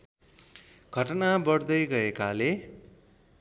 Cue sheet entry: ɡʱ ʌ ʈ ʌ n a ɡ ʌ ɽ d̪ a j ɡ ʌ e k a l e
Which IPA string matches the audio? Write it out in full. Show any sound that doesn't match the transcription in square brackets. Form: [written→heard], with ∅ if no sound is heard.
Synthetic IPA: ɡʱ ʌ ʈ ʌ n a [ɡ→b] ʌ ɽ d̪ [a→ʌ] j ɡ ʌ e k a l e